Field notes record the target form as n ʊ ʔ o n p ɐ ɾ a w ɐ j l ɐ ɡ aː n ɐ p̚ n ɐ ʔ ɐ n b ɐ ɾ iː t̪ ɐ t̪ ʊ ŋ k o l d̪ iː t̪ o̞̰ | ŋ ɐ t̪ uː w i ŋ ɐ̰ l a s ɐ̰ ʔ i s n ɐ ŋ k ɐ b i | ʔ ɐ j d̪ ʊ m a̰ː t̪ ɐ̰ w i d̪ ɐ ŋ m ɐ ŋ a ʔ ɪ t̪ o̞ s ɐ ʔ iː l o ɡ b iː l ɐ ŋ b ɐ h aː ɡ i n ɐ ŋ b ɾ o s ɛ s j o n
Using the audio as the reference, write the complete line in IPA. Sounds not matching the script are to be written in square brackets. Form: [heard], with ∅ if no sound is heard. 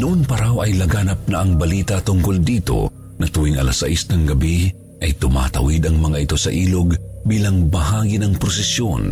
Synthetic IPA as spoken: n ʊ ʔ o n p ɐ ɾ a w ɐ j l ɐ ɡ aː n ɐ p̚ n ɐ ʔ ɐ [ŋ] b ɐ [l] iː t̪ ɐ t̪ ʊ ŋ k o l d̪ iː t̪ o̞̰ | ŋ ɐ t̪ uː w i ŋ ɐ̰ l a s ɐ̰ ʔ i s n ɐ ŋ [ɡ] ɐ b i | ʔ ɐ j [t̪] ʊ m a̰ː t̪ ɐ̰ w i d̪ ɐ ŋ m ɐ ŋ a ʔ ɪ t̪ o̞ s ɐ ʔ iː l o ɡ b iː l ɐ ŋ b ɐ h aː ɡ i n ɐ ŋ [p] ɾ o s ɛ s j o n